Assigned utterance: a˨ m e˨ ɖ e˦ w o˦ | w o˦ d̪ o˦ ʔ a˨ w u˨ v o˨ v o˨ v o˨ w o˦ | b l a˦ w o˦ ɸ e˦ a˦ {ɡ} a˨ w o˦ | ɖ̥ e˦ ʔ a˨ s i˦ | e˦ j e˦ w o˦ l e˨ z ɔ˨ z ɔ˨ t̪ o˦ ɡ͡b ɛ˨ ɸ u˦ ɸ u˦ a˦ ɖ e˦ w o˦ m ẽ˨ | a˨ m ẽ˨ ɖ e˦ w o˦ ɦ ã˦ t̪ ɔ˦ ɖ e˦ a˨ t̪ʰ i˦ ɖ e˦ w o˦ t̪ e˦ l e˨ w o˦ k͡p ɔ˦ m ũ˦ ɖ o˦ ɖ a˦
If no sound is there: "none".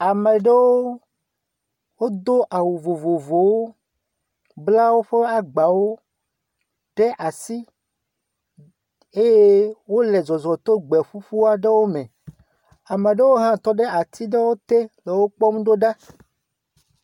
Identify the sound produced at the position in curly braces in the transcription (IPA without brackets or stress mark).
ɡ͡b